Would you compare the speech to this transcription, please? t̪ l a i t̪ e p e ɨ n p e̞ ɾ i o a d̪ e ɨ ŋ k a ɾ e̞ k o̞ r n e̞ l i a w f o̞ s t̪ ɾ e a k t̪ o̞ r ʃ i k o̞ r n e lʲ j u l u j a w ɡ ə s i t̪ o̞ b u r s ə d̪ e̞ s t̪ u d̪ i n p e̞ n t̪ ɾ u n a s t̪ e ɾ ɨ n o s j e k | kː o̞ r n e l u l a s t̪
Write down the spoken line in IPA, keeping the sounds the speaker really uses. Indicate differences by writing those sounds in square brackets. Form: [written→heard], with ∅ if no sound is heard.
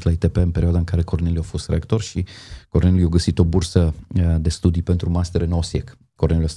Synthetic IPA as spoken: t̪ l a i t̪ e p e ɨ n p e̞ ɾ i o a d̪ [e→a] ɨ ŋ k a ɾ e̞ k o̞ r n e̞ l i a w f o̞ s t̪ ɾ e a k t̪ o̞ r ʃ i k o̞ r n e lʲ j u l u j a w ɡ ə s i t̪ o̞ b u r s ə d̪ e̞ s t̪ u d̪ i [n→∅] p e̞ n t̪ ɾ u [n→m] a s t̪ e ɾ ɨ n o s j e k | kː o̞ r n e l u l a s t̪